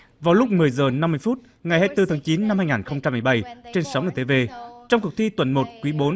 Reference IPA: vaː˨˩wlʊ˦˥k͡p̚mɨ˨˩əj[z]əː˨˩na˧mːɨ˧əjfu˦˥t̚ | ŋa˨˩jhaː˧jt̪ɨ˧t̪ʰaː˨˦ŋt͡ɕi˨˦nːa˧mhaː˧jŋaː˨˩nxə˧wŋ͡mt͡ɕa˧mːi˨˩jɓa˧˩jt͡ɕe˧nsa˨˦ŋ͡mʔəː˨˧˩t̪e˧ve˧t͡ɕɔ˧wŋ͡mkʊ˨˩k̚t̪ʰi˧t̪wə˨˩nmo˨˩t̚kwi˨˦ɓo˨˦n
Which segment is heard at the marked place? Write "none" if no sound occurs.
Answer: z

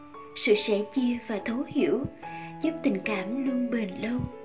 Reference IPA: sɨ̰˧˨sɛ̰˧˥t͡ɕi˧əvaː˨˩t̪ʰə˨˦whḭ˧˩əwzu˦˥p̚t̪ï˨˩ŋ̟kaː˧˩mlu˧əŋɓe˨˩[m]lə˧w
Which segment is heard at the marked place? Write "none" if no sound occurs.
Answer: n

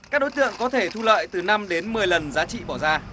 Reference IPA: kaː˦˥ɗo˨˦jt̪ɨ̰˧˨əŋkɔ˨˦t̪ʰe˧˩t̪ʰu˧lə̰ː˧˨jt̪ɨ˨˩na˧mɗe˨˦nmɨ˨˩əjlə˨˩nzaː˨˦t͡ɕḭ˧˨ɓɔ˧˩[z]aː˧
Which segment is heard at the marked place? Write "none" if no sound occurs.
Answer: z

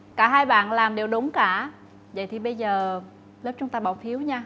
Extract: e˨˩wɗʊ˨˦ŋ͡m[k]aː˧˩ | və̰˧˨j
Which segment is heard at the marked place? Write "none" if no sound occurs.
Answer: k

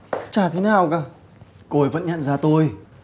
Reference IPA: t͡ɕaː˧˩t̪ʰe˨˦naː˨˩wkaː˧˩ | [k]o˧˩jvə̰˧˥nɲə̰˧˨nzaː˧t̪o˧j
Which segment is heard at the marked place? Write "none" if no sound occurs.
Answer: k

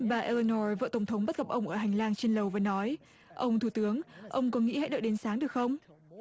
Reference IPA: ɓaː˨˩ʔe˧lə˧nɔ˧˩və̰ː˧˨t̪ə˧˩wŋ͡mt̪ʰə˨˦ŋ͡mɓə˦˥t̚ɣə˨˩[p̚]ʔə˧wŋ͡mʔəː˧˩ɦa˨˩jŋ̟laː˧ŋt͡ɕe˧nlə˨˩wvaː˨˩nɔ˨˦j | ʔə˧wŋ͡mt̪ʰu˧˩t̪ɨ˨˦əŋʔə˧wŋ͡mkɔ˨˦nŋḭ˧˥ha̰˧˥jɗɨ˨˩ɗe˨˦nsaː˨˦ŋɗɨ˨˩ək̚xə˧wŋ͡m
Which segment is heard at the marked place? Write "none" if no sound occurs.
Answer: p̚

